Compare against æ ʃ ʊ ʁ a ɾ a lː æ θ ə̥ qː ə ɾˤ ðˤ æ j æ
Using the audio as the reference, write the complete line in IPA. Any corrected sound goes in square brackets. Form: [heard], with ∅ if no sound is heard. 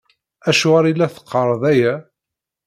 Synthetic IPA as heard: æ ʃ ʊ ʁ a ɾ [i] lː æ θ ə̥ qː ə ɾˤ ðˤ æ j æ